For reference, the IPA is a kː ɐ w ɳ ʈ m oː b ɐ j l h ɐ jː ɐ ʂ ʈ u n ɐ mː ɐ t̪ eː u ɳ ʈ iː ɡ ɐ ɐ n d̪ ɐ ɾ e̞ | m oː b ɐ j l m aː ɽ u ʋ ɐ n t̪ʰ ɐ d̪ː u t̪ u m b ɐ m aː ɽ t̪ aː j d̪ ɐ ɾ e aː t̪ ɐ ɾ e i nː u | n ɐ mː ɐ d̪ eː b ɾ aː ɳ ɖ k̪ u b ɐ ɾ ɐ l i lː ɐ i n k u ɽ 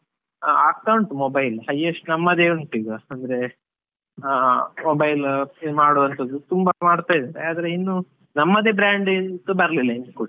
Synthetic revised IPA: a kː ɐ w ɳ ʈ m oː b ɐ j l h ɐ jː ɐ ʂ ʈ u n ɐ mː ɐ d̪ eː u ɳ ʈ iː ɡ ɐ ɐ n d̪ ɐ ɾ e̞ | m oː b ɐ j l m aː ɽ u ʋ ɐ n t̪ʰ ɐ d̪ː u t̪ u m b ɐ m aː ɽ t̪ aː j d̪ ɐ ɾ e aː d̪ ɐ ɾ e i nː u | n ɐ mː ɐ d̪ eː b ɾ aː ɳ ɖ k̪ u b ɐ ɾ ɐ l i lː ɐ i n k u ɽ